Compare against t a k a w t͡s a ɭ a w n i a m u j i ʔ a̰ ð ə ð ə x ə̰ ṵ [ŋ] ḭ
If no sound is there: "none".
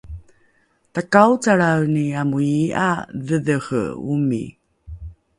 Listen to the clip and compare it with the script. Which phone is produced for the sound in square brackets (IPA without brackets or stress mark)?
m